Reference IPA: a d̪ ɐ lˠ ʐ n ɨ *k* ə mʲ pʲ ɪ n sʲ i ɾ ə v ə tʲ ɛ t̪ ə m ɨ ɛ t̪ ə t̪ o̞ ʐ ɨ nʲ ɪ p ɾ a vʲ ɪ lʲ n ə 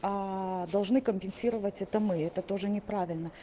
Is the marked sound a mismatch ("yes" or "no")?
no